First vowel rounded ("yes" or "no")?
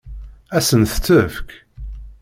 no